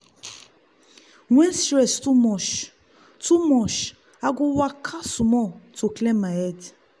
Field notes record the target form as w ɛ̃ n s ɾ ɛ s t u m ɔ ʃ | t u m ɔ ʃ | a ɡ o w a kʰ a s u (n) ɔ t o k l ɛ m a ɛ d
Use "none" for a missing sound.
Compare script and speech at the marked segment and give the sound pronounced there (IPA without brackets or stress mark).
m